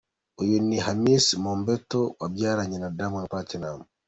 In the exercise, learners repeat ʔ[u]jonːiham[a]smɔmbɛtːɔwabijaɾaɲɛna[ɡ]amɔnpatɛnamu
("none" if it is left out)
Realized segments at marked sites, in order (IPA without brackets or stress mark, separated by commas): ɔ, i, d